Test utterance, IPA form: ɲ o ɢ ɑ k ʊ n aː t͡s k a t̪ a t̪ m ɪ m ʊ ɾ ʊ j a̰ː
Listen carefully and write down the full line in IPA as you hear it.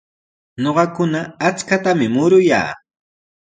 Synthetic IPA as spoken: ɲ o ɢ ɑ k ʊ n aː t͡s k a t̪ a m ɪ m ʊ ɾ ʊ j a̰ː